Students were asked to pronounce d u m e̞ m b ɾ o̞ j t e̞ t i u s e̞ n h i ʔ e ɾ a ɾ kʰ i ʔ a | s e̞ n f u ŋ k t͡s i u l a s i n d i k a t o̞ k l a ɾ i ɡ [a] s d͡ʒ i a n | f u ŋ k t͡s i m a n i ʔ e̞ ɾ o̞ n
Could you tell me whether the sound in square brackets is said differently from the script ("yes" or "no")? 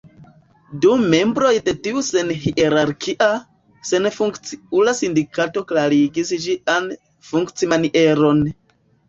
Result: yes